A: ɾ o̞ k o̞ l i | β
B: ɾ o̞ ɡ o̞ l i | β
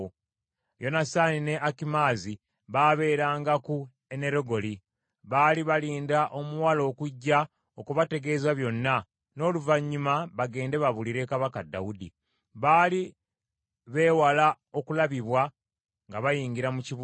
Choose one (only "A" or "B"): B